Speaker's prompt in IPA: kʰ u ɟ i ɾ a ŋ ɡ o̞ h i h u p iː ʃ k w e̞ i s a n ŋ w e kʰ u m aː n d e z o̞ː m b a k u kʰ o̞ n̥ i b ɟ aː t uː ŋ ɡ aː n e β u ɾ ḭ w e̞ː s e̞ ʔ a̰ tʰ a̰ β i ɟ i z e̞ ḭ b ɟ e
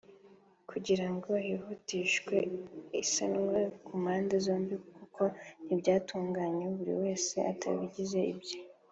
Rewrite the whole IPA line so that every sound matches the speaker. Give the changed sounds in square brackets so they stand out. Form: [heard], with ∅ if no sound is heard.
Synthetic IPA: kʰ u ɟ i ɾ a ŋ ɡ o̞ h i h u [t] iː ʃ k w e̞ i s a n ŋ w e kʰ u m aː n d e z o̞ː m b [i] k u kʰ o̞ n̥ i b ɟ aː t uː ŋ ɡ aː [ɲ] e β u ɾ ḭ w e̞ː s e̞ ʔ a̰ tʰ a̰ β i ɟ i z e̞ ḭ b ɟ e